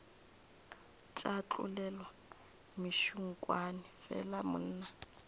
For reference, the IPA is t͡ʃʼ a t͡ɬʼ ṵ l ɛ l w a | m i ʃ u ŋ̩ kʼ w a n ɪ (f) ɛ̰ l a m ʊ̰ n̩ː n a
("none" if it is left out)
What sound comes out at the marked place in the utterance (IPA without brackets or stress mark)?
f